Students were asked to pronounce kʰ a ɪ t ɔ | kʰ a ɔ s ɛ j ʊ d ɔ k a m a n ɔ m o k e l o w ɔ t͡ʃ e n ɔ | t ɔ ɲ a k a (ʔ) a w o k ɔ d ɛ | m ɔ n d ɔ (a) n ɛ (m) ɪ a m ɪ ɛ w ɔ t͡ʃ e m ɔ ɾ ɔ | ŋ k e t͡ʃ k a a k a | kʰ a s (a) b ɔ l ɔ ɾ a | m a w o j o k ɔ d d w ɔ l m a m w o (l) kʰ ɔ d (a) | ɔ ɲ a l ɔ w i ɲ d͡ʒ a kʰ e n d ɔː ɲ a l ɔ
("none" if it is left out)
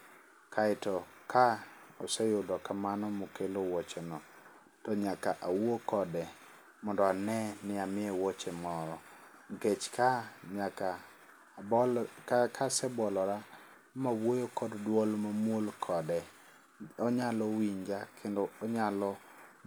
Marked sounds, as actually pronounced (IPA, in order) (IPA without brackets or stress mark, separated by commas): ʔ, a, n, ɛ, l, ɛ